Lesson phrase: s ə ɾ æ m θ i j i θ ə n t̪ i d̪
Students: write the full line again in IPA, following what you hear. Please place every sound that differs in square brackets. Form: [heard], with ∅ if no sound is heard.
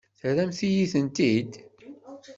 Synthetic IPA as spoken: [θ] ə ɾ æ m θ i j i θ ə n t̪ i d̪